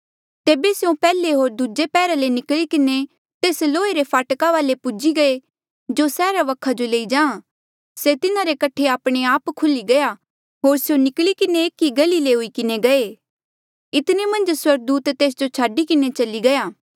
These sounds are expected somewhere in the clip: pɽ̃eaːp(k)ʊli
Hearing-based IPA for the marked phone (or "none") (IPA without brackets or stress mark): kʰ